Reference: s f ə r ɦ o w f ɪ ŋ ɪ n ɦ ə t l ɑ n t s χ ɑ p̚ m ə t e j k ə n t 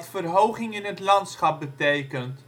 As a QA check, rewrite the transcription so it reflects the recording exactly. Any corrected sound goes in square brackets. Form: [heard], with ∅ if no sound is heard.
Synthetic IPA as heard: [t] f ə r ɦ o w [χ] ɪ ŋ ɪ n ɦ ə t l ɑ n t s χ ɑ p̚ [b] ə t e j k ə n t